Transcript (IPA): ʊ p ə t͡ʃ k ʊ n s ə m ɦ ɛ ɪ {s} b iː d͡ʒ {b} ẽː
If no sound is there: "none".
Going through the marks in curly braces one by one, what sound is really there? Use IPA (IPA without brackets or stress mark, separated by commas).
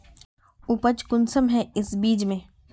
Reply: s, m